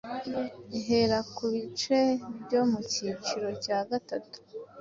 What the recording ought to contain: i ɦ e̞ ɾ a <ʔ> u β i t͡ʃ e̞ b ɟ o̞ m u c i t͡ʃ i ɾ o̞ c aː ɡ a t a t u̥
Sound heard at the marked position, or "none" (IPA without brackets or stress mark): k